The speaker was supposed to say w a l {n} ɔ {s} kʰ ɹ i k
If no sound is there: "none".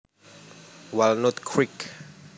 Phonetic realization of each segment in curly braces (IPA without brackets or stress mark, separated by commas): n, t